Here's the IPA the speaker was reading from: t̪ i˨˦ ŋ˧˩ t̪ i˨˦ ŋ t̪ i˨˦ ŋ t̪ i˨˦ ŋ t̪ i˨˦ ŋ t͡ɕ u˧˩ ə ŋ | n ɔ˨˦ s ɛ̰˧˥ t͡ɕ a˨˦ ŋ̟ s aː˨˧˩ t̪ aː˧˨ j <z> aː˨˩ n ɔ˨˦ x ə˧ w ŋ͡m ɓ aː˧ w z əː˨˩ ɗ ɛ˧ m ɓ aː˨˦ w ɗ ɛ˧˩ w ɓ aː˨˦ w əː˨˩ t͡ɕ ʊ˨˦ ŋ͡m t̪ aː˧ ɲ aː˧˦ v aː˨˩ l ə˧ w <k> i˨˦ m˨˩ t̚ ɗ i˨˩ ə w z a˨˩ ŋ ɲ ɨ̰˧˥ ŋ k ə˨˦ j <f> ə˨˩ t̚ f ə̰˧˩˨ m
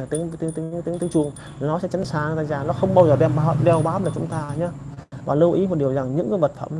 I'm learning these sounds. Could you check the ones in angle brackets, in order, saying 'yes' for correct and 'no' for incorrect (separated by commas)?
yes, no, no